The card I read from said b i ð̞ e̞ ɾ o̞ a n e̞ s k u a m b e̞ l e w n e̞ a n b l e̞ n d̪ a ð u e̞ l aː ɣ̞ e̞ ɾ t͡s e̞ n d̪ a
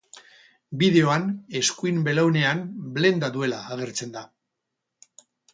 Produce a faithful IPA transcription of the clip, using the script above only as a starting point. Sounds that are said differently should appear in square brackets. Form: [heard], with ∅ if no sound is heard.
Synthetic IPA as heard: b i ð̞ e̞ [∅] o̞ a n e̞ s k u [i] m b e̞ l [a] w n e̞ a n b l e̞ n d̪ a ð u e̞ l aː ɣ̞ e̞ ɾ t͡s e̞ n d̪ a